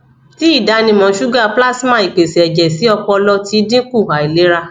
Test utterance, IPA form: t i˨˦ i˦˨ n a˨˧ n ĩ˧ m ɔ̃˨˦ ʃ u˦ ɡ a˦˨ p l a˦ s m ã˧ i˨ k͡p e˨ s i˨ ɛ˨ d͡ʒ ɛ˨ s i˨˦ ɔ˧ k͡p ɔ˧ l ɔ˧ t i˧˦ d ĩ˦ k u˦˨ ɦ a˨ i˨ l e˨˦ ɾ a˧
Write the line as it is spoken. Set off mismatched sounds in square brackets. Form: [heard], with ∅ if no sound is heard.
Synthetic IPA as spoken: t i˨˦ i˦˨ [d] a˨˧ n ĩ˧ m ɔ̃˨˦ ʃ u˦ ɡ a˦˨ p l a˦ s m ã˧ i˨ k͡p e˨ s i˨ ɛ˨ d͡ʒ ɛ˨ s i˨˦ ɔ˧ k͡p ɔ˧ l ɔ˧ t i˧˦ d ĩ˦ k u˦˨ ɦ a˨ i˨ l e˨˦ ɾ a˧